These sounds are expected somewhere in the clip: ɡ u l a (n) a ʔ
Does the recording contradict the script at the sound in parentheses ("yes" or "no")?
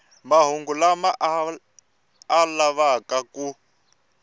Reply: yes